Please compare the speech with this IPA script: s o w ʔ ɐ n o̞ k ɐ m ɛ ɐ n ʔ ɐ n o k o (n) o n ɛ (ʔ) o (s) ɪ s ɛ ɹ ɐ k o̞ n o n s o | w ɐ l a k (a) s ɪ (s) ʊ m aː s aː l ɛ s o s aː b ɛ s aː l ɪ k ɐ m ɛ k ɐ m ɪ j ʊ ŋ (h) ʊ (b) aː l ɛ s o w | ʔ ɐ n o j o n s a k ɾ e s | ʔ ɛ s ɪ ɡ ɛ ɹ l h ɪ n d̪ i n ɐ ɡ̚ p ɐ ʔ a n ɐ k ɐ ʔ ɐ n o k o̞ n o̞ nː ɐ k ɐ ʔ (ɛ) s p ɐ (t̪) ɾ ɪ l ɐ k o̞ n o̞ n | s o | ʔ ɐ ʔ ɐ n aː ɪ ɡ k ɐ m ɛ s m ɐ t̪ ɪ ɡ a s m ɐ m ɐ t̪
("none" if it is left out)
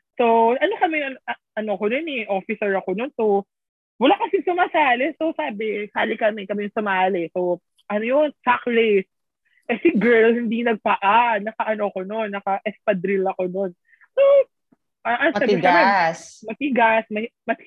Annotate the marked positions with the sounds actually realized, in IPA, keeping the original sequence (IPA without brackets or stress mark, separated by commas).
n, ʔ, f, ɐ, s, s, m, ɛ, d̪